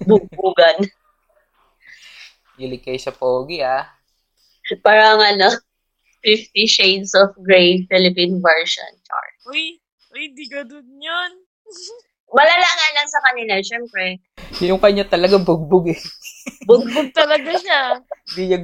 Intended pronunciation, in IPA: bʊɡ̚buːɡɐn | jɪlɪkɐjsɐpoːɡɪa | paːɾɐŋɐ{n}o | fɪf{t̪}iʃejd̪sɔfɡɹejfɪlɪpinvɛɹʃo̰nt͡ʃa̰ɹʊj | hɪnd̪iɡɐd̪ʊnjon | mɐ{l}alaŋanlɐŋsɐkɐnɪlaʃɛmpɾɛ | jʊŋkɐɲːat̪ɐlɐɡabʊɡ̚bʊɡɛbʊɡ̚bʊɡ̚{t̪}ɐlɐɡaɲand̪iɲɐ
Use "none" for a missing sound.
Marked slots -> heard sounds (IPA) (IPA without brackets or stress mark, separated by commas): n, t̪, l, t̪